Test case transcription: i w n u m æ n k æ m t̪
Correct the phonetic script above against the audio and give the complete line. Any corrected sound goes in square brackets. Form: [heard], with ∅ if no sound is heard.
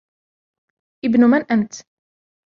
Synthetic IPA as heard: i [b] n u m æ n [ʔ] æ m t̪